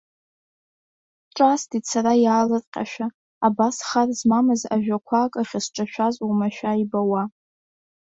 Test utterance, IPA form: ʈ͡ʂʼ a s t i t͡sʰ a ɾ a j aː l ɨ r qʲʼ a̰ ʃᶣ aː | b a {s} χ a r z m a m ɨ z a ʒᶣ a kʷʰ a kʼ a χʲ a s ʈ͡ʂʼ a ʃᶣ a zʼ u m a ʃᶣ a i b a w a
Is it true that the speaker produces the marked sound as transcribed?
yes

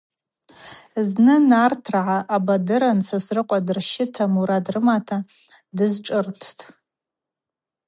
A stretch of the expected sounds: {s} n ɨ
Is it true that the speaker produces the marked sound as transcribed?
no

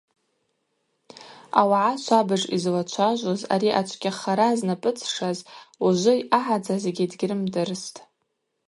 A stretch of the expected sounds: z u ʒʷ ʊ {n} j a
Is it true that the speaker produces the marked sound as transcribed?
no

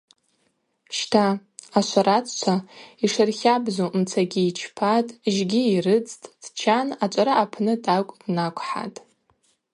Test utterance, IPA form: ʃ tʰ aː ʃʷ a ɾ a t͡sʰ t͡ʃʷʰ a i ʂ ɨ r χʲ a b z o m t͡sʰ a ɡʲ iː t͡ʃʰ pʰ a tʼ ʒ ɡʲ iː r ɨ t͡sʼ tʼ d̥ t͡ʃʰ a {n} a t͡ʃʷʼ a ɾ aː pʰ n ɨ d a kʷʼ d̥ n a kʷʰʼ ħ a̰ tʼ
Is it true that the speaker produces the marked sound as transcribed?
yes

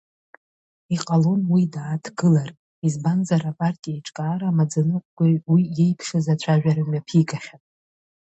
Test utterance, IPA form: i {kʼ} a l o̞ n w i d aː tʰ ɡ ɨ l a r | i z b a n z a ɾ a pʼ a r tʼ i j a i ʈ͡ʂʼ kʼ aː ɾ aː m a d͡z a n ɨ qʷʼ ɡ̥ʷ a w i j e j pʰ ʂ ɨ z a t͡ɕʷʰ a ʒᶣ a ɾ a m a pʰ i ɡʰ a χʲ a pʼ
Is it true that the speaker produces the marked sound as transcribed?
no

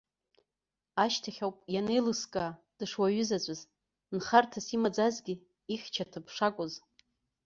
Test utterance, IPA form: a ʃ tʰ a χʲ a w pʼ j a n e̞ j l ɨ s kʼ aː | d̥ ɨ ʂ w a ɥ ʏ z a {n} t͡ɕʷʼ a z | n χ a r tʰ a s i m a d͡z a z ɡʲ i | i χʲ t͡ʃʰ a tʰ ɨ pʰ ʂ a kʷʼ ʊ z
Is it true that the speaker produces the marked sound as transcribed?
no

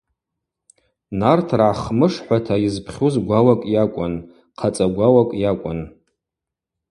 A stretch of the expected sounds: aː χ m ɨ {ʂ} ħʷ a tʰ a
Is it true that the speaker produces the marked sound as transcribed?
yes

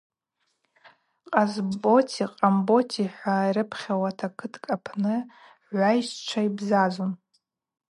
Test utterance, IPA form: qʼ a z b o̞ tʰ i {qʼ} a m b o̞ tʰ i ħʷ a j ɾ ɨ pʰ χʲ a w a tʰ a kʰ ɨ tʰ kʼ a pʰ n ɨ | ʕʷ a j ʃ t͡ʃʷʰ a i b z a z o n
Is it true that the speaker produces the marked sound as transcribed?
yes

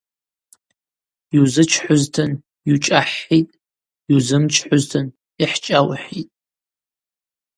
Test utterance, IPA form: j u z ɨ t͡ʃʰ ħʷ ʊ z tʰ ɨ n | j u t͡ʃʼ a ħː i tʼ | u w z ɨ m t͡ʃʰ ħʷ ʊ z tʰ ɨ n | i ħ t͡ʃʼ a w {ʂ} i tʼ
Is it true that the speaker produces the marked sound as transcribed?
no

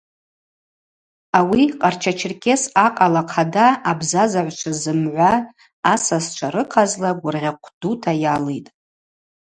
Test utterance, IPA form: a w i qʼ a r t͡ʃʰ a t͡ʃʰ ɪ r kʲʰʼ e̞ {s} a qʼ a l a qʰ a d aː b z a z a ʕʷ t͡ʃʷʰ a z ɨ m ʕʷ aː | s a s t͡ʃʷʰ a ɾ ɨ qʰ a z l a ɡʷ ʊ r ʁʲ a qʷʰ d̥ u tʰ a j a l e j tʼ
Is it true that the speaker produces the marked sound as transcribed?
yes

